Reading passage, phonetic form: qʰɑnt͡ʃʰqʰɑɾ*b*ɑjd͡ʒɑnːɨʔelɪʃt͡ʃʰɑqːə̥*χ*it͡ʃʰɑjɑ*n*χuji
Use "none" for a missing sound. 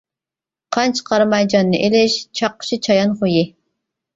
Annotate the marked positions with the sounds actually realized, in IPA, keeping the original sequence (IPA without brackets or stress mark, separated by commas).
m, ʃ, n